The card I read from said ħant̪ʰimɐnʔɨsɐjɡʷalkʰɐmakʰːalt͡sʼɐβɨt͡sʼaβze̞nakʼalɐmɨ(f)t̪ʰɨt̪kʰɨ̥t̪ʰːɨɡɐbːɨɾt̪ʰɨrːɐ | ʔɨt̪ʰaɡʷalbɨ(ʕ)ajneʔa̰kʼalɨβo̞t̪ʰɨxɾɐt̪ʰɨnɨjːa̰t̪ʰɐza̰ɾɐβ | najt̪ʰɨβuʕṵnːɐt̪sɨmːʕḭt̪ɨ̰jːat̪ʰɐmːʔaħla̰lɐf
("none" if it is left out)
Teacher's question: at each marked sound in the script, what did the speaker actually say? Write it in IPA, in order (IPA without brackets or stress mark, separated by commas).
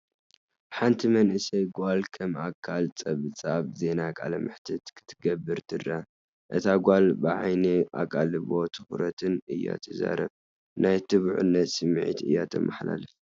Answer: ħ, ʕ